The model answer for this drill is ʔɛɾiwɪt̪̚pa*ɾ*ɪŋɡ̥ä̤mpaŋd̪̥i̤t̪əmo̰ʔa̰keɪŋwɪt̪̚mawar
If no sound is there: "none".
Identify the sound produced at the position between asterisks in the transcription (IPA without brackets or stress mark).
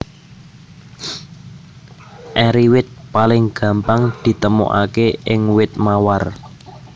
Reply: l